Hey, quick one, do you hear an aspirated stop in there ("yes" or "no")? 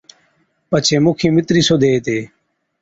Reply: yes